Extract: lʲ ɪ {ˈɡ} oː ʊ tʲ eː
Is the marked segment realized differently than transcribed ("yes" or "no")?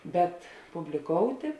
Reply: yes